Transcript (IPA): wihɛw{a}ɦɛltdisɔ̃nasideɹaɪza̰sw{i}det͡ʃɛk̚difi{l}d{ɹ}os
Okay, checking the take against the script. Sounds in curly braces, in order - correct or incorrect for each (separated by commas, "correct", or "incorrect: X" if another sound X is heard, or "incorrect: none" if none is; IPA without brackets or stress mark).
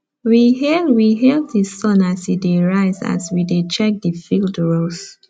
incorrect: i, correct, correct, correct